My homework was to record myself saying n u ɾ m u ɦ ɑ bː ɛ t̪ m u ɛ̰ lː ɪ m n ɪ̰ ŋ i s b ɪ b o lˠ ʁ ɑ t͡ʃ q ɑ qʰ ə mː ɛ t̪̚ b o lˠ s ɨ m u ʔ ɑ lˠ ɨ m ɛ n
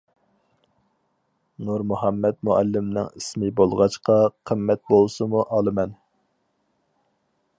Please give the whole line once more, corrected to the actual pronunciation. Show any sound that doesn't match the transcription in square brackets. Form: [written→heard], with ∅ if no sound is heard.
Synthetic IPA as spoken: n u ɾ m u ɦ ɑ [bː→mː] ɛ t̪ m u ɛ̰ lː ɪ m n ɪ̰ ŋ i s [b→m] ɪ b o lˠ ʁ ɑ t͡ʃ q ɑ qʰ ə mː ɛ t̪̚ b o lˠ s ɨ m u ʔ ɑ lˠ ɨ m ɛ n